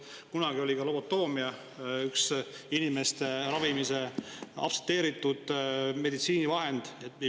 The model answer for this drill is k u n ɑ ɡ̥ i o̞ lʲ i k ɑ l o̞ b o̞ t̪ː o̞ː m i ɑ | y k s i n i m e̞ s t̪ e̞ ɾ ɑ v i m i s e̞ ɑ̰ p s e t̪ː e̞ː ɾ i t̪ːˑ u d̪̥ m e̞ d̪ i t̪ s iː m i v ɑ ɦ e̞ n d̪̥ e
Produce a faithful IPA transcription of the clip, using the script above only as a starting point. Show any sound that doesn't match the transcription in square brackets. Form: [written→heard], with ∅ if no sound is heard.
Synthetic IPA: k u n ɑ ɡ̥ i o̞ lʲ i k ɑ l o̞ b o̞ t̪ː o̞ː m i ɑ | y k s i n i m e̞ s t̪ e̞ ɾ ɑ v i m i s e̞ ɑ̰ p s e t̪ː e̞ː ɾ i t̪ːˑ u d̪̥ m e̞ d̪ i t̪ s iː [m→n] i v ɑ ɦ e̞ n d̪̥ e